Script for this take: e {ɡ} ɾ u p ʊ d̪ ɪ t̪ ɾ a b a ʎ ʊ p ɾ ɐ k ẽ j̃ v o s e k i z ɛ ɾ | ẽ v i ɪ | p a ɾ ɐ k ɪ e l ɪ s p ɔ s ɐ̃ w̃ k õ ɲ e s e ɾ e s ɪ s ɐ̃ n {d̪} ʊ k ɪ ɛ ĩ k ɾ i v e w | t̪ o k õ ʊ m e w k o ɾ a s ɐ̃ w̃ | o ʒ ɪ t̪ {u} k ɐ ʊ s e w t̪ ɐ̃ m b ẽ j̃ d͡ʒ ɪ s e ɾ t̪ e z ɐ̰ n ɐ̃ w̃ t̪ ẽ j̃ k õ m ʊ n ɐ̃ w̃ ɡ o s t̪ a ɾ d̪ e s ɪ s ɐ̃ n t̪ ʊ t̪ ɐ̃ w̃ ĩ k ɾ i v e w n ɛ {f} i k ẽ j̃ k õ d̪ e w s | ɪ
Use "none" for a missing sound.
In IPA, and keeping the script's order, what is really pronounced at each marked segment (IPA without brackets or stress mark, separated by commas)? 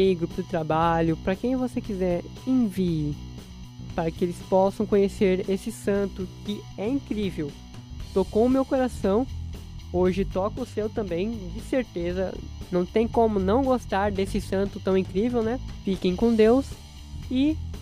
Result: ɡ, t̪, ɔ, f